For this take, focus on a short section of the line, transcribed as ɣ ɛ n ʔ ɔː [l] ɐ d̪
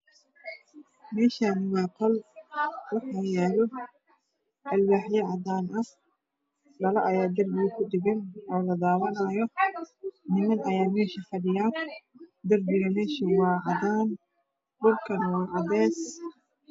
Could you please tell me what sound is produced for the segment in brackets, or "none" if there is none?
l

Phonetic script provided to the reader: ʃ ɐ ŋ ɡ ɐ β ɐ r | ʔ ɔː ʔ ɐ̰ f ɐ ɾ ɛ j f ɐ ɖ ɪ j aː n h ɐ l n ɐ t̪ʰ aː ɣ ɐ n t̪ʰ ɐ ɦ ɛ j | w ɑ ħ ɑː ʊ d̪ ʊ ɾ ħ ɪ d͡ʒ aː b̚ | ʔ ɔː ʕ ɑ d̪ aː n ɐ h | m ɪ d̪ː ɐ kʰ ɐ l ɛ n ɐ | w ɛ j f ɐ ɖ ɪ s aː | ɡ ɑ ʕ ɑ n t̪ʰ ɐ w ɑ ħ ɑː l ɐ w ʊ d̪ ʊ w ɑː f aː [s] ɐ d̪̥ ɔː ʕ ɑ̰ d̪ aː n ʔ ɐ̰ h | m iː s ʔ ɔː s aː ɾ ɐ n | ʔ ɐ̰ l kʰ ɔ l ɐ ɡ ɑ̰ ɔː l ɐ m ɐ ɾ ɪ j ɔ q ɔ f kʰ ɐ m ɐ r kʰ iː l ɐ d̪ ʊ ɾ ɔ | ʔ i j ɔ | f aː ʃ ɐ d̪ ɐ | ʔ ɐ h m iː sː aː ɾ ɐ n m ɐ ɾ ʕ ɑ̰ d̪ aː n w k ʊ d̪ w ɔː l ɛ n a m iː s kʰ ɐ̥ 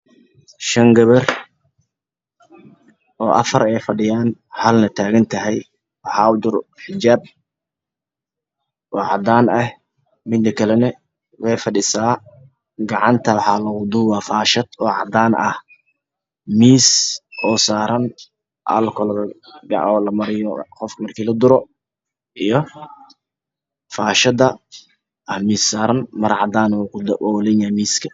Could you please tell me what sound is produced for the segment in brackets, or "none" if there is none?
ʃ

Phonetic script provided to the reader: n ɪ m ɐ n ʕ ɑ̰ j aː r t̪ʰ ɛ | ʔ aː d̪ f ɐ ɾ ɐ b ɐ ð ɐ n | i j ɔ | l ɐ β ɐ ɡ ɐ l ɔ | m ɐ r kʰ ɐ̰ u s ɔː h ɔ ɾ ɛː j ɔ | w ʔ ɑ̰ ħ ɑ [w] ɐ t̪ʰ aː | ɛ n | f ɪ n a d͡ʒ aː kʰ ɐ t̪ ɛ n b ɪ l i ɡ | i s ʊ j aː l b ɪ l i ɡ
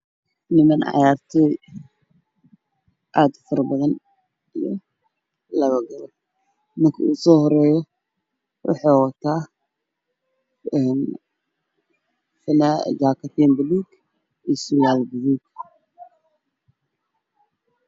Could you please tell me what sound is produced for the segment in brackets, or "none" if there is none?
w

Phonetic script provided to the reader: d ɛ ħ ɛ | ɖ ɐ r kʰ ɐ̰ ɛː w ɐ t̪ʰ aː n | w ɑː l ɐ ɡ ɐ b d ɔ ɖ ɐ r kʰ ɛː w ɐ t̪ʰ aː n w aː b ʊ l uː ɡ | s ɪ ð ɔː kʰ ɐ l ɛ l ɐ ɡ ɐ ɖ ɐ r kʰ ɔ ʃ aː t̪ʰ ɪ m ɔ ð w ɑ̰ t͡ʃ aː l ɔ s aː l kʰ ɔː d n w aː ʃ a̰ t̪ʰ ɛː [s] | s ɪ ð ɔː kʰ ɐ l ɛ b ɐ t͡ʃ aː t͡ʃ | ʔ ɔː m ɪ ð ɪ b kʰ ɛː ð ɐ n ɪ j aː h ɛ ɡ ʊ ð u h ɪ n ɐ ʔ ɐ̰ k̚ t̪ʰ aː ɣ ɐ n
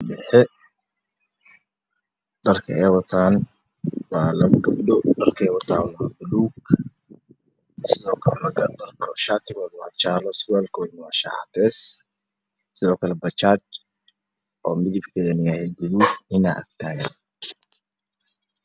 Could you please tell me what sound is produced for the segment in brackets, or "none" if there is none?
s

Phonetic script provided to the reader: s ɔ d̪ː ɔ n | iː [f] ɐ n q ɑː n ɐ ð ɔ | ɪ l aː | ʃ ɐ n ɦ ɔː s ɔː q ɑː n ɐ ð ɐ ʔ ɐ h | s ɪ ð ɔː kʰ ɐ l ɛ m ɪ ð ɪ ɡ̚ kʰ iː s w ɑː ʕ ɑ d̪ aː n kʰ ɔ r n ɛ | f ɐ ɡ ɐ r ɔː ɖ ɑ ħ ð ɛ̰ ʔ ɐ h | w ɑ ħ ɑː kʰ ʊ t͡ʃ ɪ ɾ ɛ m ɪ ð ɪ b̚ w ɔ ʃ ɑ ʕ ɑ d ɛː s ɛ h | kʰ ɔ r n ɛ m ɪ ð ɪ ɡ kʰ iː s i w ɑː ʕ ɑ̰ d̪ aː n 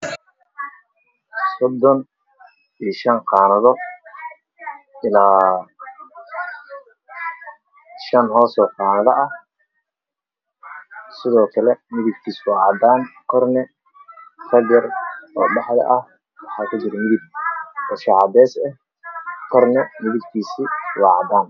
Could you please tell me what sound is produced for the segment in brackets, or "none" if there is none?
ʃ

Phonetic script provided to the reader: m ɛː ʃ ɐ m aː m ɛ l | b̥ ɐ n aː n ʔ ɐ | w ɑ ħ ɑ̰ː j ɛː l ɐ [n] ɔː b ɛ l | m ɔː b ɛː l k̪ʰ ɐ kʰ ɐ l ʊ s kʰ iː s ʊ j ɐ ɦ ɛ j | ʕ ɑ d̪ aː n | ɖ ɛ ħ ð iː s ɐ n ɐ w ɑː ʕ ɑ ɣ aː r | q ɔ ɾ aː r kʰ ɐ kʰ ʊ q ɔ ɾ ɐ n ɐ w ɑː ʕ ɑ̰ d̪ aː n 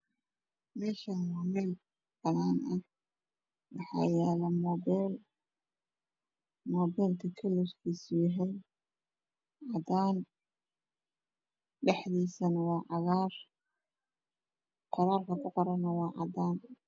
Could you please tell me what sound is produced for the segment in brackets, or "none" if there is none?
m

